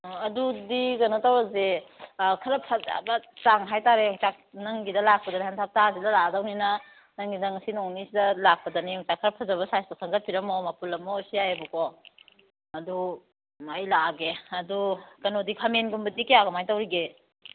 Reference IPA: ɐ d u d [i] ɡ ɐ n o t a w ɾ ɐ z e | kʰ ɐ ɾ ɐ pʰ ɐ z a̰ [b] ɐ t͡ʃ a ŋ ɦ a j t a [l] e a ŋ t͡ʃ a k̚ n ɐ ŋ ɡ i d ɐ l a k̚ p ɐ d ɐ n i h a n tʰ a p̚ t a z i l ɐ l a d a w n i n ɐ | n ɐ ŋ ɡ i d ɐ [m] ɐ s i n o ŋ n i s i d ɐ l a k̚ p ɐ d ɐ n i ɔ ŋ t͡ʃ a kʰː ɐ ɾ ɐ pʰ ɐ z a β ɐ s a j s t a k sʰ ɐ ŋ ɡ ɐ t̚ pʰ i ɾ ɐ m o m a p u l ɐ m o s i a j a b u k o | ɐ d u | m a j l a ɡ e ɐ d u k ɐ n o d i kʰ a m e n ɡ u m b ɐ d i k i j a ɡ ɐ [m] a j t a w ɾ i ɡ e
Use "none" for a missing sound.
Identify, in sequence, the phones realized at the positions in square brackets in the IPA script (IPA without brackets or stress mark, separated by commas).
i, b, ɾ, ŋ, m